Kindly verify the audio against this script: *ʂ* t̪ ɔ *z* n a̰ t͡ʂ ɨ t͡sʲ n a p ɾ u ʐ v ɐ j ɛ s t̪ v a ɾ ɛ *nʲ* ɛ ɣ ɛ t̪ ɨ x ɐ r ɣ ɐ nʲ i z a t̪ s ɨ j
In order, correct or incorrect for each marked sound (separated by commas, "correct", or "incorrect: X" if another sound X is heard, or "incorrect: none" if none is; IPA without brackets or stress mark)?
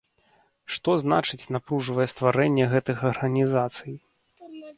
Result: correct, correct, incorrect: nʲː